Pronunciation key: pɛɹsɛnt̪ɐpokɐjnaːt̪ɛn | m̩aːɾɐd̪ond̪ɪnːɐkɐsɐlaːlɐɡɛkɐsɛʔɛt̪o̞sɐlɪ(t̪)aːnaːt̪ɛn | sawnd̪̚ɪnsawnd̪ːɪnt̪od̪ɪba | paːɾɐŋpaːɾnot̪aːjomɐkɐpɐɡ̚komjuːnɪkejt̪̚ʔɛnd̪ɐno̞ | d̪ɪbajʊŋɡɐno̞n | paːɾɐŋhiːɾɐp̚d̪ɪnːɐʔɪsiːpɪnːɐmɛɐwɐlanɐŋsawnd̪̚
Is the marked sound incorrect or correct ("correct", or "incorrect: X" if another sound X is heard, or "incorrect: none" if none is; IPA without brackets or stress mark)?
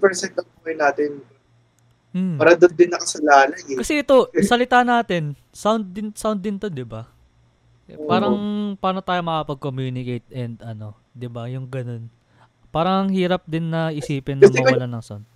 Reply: correct